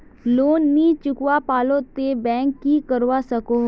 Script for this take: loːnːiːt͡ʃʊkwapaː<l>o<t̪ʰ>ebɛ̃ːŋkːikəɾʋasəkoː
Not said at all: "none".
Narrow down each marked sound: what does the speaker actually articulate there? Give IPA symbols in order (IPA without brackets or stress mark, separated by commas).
l, t̪